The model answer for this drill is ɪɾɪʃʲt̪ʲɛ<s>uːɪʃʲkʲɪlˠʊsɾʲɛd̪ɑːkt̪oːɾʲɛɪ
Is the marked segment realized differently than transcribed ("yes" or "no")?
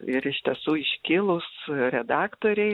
no